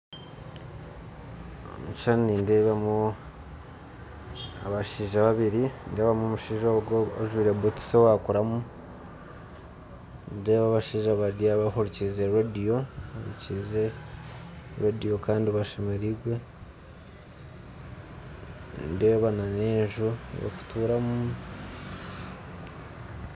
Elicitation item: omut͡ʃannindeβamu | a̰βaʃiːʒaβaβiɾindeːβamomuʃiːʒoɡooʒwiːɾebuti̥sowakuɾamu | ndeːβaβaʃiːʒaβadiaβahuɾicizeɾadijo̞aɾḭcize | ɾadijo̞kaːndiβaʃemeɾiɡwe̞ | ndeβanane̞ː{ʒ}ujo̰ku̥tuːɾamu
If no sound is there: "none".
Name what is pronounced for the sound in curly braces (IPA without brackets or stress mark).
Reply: ʒ